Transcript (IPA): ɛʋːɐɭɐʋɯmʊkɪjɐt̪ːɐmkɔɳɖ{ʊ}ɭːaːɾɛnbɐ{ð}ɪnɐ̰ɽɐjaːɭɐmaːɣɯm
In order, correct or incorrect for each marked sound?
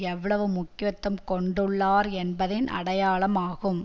incorrect: ɯ, correct

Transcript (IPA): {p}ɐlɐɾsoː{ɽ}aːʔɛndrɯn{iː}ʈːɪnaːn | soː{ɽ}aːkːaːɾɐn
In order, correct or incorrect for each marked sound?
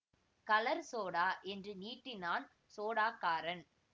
incorrect: k, correct, correct, correct

